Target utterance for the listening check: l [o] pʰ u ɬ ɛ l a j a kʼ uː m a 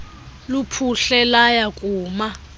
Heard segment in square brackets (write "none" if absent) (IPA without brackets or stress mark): u